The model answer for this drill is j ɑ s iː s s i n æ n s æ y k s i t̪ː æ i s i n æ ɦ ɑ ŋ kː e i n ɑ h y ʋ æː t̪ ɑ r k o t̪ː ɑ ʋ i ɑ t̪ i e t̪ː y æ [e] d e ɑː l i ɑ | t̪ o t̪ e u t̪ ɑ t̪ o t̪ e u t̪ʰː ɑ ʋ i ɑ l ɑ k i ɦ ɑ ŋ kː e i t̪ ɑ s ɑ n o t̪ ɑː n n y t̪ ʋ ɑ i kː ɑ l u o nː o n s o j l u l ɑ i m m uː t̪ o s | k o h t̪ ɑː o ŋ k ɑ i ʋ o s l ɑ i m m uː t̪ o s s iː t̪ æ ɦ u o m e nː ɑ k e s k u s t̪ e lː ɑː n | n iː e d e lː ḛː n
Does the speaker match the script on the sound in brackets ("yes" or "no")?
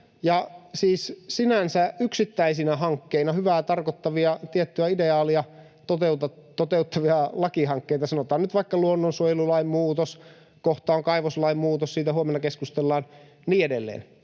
no